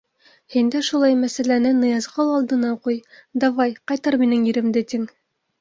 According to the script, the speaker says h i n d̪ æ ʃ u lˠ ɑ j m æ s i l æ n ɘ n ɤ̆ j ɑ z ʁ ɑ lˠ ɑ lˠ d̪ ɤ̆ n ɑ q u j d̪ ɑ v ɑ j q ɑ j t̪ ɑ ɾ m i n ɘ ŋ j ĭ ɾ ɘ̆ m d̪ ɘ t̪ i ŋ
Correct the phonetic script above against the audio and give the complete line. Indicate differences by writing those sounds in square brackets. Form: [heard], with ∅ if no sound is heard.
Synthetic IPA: h i n d̪ æ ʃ u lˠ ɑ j m æ s [æ] l æ n ɘ n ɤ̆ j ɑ z ʁ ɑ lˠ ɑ lˠ d̪ ɤ̆ n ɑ q u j d̪ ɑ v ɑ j q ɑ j t̪ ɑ ɾ m i n ɘ ŋ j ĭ ɾ ɘ̆ m d̪ ɘ t̪ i ŋ